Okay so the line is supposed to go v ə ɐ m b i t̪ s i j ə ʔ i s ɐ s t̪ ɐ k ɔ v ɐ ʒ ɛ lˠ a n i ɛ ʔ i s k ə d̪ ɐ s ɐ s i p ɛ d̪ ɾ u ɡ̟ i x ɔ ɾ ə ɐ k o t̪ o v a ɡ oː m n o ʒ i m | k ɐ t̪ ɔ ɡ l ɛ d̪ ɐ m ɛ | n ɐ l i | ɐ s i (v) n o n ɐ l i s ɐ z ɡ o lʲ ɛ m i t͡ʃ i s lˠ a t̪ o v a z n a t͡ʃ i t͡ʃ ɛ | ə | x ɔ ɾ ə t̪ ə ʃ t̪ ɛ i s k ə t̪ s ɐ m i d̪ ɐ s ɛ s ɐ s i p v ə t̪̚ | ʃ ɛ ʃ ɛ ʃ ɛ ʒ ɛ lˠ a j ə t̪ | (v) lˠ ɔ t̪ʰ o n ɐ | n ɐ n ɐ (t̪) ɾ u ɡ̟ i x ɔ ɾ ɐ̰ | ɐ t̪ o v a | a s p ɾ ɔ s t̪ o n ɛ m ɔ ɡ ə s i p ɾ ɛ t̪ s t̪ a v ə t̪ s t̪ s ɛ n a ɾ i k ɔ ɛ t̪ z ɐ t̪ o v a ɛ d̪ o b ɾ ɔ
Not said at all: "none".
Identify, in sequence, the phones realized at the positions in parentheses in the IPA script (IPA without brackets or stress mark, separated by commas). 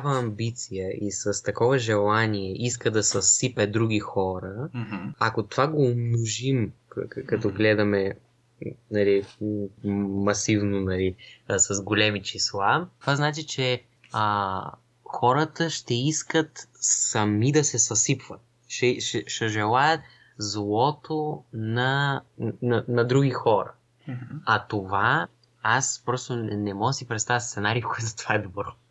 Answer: v, z, d̪